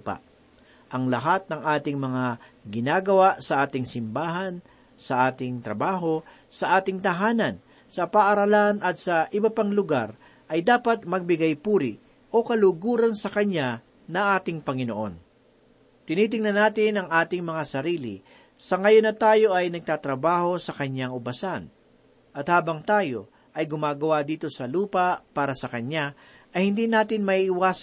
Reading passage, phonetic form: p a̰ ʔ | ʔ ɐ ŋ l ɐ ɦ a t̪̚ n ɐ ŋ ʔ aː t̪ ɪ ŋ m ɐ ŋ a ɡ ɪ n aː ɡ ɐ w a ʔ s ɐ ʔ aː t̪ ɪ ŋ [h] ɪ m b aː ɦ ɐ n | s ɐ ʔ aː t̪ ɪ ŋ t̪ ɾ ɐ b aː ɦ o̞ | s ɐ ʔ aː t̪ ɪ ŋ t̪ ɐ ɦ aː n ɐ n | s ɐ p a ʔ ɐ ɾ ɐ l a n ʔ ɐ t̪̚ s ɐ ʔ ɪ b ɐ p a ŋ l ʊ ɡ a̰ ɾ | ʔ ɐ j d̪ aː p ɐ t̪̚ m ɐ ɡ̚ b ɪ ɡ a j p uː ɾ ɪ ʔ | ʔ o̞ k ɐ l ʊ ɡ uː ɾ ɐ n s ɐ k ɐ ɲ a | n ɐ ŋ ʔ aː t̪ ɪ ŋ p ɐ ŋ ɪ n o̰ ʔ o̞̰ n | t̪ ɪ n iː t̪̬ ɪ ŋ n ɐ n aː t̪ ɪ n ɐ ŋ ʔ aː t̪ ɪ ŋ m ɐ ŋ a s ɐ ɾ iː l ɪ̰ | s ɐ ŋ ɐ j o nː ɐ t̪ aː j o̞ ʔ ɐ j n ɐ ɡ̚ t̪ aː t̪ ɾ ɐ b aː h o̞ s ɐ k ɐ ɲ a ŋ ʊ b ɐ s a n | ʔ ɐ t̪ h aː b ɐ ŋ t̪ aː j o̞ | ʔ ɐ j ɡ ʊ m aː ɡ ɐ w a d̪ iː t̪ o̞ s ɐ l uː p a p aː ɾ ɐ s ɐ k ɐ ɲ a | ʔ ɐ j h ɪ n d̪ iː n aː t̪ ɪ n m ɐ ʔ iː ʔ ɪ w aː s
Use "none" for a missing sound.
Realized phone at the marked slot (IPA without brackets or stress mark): s